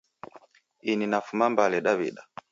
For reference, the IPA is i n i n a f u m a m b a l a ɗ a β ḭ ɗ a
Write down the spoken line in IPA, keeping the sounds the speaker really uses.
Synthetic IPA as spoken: i n i n a f u m a m b a l ɛ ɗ a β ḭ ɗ a